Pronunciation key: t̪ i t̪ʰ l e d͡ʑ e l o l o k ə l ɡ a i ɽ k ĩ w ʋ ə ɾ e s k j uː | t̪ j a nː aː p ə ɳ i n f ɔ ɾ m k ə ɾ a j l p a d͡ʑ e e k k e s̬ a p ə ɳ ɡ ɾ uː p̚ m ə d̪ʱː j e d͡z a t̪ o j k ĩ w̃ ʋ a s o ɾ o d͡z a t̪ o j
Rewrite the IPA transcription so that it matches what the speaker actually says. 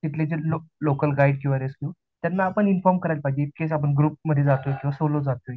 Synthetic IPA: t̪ i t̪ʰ l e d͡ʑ e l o l o k ə l ɡ a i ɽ k ĩ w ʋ a ɾ e s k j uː | t̪ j a nː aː p ə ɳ i n f ɔ ɾ m k ə ɾ a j l p a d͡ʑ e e k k e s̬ a p ə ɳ ɡ ɾ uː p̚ m ə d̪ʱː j e d͡z a t̪ o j k ĩ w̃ ʋ a s o l o d͡z a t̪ o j